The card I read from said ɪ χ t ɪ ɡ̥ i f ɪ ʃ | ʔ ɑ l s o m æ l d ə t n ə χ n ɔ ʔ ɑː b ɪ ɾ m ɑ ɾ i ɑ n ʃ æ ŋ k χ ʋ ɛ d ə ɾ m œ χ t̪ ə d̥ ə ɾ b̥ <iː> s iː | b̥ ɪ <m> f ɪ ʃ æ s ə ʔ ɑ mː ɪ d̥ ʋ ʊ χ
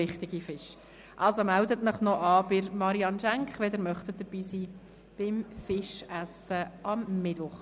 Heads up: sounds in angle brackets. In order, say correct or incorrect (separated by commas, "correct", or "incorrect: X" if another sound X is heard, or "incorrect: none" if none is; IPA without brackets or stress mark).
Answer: correct, correct